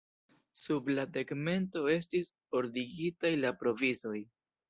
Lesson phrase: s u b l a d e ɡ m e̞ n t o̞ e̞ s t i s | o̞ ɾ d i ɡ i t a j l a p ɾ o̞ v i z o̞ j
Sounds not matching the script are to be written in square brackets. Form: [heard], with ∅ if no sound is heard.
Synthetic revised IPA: s u b l a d e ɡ m e̞ n t o̞ e̞ s t i s | o̞ ɾ d i ɡ i t a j l a p ɾ o̞ v i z o̞ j